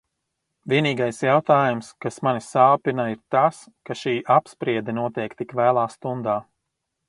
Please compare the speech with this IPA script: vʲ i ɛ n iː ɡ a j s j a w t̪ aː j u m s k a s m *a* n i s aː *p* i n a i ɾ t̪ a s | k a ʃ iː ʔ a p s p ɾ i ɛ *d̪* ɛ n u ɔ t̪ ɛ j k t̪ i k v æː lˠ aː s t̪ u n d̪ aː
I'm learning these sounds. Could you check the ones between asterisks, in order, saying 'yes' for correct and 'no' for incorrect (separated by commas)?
yes, yes, yes